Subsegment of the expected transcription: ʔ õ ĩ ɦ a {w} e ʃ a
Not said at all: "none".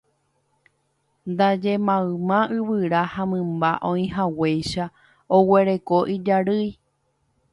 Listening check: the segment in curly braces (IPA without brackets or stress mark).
w